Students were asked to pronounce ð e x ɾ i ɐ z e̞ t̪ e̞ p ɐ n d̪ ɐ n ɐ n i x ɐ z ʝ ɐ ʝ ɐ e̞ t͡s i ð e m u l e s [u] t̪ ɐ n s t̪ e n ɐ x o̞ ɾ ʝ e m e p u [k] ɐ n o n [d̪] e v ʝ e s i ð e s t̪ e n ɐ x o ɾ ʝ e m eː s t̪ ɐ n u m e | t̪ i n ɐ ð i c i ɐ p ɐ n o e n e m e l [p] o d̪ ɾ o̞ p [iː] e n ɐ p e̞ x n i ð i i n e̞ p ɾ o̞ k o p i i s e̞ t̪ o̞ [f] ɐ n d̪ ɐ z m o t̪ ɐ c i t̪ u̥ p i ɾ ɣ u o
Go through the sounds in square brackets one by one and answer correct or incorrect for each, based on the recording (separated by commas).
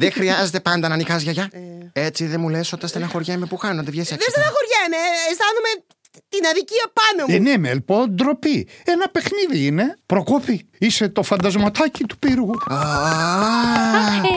incorrect, incorrect, correct, correct, incorrect, correct